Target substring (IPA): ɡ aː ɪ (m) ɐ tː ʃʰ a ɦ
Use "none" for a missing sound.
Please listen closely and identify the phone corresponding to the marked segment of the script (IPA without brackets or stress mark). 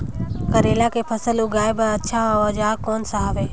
b